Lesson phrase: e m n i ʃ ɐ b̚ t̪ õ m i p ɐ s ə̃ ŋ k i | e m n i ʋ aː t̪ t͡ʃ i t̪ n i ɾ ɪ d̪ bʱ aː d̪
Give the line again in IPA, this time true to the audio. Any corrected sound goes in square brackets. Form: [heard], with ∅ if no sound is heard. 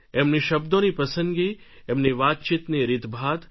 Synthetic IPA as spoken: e m n i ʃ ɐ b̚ [d̪] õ [n] i p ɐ s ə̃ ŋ [ɡ] i | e m n i ʋ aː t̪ t͡ʃ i t̪ n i ɾ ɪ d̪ bʱ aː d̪